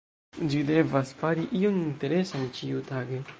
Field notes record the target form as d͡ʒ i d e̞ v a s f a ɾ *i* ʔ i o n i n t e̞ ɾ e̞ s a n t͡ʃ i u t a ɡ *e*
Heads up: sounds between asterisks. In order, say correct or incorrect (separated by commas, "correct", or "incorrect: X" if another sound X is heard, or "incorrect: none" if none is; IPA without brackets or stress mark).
correct, correct